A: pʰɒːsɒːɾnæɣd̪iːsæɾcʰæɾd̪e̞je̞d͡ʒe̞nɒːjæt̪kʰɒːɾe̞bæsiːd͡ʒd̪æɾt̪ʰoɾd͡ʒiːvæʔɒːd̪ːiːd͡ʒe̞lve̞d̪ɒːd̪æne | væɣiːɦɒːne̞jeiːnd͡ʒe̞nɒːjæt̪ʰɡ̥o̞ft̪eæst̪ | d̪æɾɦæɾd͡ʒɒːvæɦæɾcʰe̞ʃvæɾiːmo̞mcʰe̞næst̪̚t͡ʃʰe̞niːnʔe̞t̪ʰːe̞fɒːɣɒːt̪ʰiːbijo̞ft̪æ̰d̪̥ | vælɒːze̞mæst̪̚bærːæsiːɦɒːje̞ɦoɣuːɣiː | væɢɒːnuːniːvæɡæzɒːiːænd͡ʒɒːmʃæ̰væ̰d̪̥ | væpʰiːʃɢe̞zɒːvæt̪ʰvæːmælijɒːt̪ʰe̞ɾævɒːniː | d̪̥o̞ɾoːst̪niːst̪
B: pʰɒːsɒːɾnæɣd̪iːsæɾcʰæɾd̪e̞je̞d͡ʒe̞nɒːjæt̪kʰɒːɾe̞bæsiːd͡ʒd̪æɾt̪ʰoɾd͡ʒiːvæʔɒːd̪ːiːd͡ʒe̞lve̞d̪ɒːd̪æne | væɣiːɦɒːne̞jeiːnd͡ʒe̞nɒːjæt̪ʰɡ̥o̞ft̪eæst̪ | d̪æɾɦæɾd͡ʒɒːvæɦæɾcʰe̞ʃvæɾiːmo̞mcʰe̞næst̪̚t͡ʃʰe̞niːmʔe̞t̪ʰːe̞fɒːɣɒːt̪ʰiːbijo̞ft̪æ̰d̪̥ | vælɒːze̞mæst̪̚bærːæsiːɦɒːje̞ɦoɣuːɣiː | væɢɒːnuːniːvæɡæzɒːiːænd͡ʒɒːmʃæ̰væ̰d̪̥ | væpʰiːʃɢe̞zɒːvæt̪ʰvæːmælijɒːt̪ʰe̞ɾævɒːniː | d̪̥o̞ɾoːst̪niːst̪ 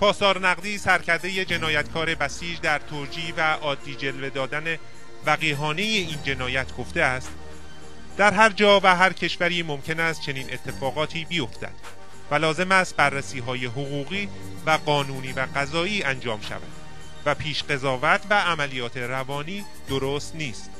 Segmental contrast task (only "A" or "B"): A